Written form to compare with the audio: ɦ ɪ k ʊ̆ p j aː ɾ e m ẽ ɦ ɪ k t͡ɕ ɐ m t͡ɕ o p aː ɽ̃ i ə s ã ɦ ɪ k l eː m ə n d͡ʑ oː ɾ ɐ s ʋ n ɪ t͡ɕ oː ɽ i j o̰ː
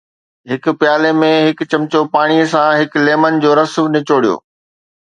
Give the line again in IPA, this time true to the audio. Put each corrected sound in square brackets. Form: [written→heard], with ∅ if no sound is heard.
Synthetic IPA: ɦ ɪ k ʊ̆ p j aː [ɾ→l] e m ẽ ɦ ɪ k t͡ɕ ɐ m t͡ɕ o p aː ɽ̃ i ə s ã ɦ ɪ k l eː m ə n d͡ʑ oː ɾ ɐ s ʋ n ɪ t͡ɕ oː ɽ i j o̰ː